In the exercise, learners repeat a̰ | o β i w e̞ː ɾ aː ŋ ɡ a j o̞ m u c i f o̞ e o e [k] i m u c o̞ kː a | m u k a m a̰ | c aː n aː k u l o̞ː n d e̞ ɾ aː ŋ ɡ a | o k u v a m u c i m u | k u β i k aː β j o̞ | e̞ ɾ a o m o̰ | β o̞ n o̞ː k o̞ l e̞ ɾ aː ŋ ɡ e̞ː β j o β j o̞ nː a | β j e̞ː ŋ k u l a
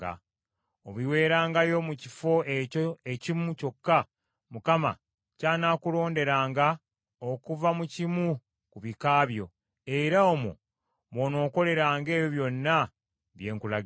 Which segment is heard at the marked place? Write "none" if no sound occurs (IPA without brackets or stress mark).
c